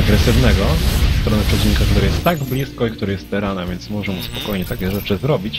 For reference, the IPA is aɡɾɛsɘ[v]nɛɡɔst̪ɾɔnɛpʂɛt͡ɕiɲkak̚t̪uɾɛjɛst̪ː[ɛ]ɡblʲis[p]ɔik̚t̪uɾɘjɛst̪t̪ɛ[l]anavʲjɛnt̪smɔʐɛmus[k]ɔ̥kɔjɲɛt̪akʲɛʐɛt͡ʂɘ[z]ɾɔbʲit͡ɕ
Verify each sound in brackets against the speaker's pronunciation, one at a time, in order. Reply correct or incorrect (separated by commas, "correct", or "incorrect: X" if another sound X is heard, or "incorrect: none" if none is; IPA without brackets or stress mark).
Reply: correct, incorrect: a, incorrect: k, incorrect: ɾ, incorrect: p, correct